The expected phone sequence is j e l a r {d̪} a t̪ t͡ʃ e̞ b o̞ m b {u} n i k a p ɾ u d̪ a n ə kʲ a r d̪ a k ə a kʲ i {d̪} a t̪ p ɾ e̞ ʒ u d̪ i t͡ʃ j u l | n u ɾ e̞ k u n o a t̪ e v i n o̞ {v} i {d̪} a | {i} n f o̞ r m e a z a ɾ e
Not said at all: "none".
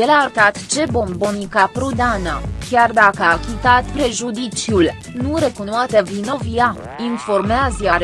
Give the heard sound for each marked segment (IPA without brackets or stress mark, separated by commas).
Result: t̪, o, t̪, v, none, i